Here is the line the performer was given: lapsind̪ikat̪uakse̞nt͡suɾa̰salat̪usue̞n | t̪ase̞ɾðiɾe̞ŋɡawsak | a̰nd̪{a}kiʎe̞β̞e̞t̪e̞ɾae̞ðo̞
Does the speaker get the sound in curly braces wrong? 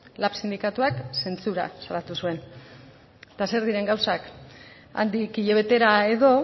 yes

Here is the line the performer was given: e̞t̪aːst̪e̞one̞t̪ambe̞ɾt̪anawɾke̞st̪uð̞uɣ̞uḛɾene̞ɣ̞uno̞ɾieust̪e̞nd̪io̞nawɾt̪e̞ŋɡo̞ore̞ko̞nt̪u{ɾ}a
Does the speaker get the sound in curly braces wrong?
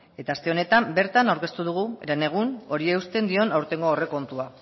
yes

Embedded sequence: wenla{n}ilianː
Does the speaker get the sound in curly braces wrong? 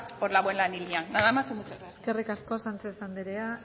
no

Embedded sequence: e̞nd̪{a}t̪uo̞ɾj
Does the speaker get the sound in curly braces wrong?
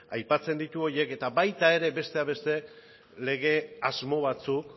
yes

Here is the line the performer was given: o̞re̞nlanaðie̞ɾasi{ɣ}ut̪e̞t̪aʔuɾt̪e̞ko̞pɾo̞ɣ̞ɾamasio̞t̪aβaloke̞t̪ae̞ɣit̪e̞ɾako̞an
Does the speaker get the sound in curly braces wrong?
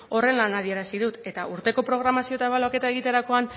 yes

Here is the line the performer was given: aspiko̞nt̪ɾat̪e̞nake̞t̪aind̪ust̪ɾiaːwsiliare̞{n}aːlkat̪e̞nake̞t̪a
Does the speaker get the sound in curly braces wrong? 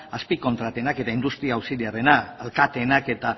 no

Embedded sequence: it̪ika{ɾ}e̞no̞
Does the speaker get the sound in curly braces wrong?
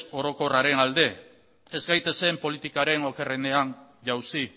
no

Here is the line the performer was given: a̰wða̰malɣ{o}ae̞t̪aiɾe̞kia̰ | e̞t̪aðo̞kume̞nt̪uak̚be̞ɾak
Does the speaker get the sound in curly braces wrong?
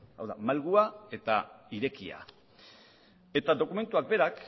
yes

